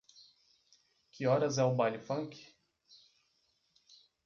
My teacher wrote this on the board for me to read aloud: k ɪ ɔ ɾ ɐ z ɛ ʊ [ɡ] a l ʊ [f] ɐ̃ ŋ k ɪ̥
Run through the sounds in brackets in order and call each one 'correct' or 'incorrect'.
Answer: incorrect, correct

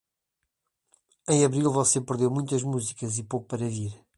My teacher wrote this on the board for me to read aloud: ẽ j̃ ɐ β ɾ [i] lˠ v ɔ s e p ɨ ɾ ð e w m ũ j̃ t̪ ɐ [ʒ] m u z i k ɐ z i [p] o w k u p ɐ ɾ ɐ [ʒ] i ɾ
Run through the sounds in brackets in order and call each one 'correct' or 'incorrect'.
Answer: correct, correct, correct, incorrect

